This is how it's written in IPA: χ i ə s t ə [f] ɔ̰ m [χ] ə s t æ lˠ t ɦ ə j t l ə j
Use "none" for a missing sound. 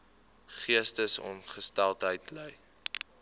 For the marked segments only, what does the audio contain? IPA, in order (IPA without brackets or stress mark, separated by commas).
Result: s, χ